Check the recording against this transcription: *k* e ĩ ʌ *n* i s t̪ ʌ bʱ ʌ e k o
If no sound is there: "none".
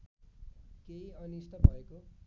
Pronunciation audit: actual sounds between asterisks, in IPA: k, n

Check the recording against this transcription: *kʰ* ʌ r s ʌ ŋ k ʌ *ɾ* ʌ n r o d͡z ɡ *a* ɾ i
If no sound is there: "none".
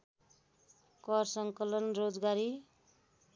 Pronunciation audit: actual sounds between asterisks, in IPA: k, l, a

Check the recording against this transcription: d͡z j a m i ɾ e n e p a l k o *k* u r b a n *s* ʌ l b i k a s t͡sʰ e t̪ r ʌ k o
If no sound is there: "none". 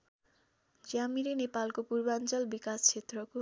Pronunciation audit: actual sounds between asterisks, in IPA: p, t͡s

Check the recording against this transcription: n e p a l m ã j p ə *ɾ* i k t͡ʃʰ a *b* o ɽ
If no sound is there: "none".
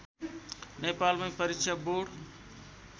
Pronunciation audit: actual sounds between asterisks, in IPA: ɾ, b

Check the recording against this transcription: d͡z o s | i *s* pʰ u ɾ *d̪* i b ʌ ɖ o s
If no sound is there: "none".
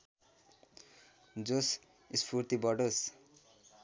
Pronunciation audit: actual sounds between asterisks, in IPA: s, t̪

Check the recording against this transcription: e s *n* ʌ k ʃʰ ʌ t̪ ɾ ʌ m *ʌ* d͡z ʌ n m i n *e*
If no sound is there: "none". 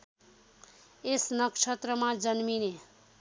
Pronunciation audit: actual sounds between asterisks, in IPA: n, a, e

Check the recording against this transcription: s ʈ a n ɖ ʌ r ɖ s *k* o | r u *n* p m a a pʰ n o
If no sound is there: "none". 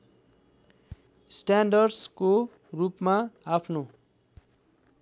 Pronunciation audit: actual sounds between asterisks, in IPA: k, none

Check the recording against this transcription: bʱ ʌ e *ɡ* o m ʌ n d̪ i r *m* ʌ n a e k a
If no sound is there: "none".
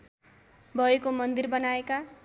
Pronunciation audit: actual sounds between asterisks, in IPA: k, b

